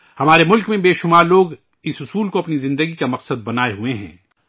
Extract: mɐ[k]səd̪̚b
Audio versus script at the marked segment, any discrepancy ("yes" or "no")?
yes